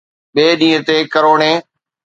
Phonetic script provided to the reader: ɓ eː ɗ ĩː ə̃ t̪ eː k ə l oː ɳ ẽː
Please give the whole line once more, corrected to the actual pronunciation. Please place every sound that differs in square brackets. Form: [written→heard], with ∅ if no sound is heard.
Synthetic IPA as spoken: ɓ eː ɗ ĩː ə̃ t̪ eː k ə [l→ɾ] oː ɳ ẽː